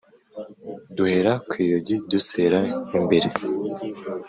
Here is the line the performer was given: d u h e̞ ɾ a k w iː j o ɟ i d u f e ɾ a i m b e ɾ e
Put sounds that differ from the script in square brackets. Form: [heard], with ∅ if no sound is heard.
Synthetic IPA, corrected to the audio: d u h e̞ ɾ a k w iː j o ɟ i d u [s] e ɾ a i m b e ɾ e